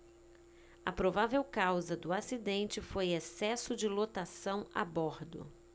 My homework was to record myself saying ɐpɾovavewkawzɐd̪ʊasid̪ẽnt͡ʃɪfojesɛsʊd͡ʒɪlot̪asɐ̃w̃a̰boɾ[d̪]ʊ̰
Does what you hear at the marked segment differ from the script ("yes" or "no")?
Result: no